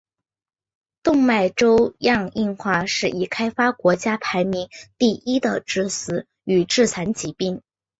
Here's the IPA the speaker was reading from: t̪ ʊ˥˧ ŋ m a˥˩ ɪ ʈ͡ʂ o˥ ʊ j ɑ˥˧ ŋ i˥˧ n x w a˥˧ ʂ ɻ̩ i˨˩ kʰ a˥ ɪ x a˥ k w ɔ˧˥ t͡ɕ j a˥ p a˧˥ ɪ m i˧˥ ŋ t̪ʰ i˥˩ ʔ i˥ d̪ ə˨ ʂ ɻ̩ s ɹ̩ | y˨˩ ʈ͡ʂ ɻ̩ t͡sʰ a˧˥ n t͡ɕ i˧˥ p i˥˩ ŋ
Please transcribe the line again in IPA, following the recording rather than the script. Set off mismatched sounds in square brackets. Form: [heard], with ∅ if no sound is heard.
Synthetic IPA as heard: t̪ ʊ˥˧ ŋ m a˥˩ ɪ ʈ͡ʂ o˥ ʊ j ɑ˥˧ ŋ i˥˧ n x w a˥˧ ʂ ɻ̩ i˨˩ kʰ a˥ ɪ [f] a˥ k w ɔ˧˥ t͡ɕ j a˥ [pʰ] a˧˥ ɪ m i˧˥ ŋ [t̪] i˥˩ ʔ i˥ d̪ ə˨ [ʈ͡ʂ] ɻ̩ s ɹ̩ | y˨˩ ʈ͡ʂ ɻ̩ t͡sʰ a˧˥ n t͡ɕ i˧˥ p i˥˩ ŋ